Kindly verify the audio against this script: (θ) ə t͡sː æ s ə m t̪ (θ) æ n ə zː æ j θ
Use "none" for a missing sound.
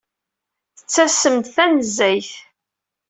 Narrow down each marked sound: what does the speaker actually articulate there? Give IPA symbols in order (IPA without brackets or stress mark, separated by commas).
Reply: θ, θ